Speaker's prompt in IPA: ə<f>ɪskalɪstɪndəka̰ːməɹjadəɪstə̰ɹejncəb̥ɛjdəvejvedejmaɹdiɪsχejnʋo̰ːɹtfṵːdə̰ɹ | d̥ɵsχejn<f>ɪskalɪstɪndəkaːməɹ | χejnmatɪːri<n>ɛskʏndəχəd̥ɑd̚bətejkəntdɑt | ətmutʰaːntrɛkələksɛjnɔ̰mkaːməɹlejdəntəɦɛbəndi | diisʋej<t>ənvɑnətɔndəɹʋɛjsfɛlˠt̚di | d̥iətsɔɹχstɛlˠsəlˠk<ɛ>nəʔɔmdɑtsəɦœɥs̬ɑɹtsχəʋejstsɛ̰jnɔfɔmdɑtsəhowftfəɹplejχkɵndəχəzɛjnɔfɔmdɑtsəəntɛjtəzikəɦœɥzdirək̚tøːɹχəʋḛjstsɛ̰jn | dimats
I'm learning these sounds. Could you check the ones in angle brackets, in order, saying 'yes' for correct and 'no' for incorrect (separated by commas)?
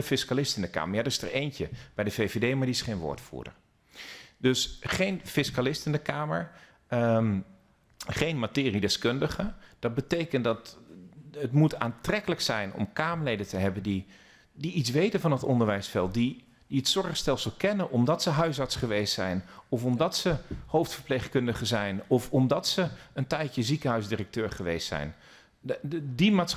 yes, yes, no, yes, yes